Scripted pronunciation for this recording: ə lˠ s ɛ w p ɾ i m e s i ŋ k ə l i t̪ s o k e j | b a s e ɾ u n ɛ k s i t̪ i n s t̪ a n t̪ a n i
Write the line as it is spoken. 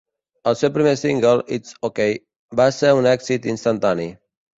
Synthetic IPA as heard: ə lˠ s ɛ w p ɾ i m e s i ŋ ɡ ə l i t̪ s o k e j | b a s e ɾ u n ɛ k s i t̪ i n s t̪ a n t̪ a n i